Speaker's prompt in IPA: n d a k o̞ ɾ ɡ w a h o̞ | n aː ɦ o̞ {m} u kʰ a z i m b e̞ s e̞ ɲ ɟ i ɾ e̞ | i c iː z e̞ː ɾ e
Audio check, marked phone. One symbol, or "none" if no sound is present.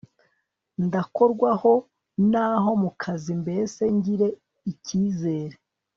m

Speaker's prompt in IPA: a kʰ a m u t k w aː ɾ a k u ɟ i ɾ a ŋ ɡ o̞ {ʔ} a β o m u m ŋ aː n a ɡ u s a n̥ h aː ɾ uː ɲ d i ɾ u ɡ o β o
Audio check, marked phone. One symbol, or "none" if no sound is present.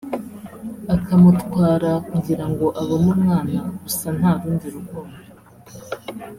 ʔ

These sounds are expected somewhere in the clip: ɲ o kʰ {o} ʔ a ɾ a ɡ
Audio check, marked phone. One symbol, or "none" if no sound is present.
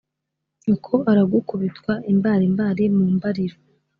o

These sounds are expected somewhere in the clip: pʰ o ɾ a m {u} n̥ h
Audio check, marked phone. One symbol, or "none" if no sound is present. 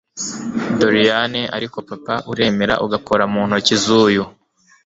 uː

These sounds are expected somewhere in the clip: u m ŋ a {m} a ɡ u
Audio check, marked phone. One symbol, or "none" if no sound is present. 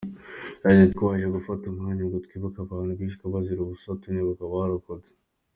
ɲ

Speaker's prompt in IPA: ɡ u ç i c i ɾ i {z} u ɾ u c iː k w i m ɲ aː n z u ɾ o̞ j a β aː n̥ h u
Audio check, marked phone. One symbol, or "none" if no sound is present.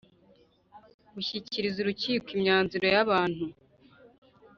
z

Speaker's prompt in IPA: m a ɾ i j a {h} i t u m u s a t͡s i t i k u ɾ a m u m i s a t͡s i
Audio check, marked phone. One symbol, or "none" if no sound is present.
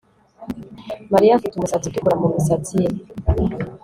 f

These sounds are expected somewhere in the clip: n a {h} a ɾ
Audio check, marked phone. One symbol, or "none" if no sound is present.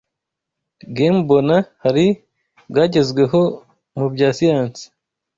h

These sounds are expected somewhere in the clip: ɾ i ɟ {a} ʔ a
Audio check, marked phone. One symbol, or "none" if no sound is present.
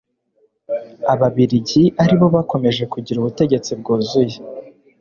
i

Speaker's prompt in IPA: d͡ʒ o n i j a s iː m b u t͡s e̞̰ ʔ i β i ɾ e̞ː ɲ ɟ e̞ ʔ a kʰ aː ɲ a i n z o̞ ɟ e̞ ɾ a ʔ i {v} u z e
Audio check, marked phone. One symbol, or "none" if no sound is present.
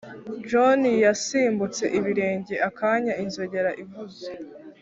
v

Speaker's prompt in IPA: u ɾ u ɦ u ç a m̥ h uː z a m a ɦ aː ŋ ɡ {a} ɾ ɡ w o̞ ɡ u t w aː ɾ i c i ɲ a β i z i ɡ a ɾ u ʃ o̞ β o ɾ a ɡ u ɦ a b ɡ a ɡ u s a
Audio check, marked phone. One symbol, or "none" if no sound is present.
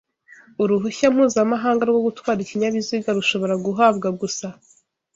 a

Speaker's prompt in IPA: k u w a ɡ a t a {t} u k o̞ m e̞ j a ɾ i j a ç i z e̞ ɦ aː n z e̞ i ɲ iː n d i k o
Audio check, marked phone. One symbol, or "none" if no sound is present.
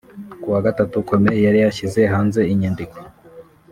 t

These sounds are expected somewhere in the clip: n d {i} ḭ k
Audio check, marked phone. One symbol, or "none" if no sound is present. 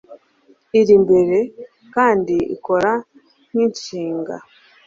i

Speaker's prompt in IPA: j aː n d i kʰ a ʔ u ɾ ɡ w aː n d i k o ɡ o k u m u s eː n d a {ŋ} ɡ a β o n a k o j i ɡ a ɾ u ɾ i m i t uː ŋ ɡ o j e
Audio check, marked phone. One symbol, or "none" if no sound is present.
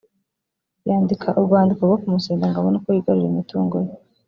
ŋ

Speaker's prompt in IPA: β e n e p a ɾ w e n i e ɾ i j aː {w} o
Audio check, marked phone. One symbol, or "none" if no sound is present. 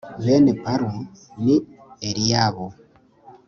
β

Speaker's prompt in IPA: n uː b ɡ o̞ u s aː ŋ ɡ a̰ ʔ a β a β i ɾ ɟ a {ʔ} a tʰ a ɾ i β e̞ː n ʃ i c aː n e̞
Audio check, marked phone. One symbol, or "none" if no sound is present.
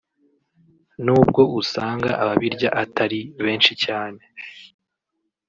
ʔ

